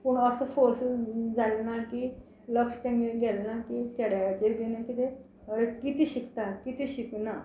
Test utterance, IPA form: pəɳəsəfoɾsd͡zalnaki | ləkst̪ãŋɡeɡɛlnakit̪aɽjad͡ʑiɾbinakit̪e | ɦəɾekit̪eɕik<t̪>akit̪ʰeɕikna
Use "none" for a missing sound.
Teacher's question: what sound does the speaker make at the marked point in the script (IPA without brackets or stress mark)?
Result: t̪